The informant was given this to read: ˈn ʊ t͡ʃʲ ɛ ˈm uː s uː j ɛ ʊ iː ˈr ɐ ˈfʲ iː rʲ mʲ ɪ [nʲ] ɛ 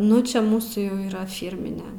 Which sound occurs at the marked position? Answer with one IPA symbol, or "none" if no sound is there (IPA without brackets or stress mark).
nʲ